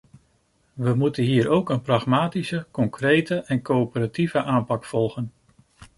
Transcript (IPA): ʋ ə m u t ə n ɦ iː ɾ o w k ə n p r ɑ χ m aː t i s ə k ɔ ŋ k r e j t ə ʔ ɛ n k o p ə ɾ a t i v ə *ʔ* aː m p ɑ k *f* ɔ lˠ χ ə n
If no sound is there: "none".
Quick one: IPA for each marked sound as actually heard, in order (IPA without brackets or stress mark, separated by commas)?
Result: ʔ, f